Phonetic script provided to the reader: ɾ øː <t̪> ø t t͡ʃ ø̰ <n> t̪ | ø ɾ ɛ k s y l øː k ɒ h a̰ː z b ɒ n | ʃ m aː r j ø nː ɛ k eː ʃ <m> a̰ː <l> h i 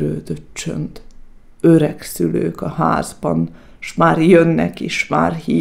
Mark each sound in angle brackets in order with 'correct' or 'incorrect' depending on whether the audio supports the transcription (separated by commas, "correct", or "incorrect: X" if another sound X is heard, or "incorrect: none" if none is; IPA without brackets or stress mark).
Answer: incorrect: d̪, correct, correct, incorrect: r